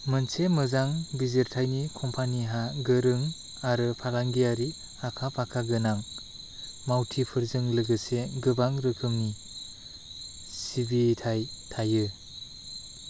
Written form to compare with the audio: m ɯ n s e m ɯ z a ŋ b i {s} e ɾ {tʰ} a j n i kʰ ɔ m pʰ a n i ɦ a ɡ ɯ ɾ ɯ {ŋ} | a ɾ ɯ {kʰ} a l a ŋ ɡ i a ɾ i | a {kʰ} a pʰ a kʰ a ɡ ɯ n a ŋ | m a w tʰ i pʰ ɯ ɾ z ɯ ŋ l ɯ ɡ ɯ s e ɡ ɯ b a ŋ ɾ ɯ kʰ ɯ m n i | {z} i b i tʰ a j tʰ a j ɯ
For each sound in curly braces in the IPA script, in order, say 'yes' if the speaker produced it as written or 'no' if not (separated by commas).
no, yes, yes, no, yes, no